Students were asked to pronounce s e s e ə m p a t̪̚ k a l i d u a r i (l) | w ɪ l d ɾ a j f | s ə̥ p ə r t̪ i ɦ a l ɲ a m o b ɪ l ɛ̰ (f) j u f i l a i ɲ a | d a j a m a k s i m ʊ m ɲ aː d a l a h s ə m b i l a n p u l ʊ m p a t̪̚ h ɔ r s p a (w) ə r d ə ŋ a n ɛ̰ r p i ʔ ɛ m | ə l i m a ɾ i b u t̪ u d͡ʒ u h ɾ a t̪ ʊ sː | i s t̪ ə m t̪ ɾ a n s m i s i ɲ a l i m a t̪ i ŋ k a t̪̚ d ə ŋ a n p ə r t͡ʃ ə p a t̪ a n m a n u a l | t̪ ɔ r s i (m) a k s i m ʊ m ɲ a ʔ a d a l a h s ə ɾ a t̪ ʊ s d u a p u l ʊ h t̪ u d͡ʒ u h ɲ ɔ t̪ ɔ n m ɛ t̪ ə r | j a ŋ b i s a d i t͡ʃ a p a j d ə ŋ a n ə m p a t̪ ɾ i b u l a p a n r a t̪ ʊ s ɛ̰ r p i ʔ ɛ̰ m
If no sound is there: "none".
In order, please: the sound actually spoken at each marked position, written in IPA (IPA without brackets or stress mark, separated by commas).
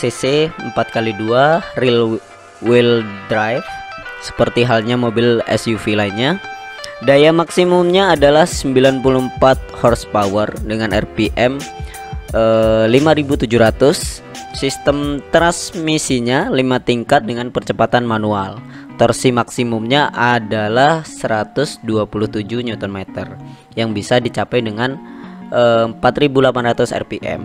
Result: l, s, w, m